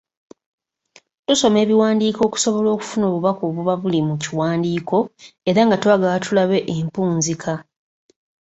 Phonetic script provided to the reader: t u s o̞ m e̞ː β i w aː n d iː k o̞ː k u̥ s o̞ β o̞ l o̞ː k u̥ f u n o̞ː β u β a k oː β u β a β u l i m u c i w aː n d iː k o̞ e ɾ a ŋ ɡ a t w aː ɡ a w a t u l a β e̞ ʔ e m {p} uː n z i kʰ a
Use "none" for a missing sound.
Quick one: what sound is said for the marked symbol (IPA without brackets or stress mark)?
p